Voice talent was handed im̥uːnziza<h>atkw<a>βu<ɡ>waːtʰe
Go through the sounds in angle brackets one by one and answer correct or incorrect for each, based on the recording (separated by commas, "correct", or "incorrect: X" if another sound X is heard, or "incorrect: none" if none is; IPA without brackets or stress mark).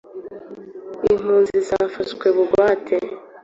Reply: incorrect: f, incorrect: e, correct